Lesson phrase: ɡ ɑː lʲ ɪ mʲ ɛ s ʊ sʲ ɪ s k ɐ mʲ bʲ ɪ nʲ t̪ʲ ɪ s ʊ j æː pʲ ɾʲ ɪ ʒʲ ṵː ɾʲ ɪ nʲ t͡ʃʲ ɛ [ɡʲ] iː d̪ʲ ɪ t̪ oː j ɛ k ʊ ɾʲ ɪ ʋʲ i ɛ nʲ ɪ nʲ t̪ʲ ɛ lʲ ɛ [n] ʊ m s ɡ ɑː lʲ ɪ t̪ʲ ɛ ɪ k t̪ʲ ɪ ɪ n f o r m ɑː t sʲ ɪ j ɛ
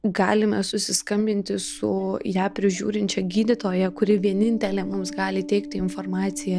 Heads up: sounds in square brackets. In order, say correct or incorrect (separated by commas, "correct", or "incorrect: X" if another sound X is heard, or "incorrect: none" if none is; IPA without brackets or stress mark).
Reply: correct, incorrect: m